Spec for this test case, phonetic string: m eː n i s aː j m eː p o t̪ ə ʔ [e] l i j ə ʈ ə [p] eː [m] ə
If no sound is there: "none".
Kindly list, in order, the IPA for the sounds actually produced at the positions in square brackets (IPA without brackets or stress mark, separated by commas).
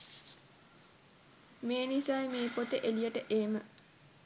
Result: e, ʔ, m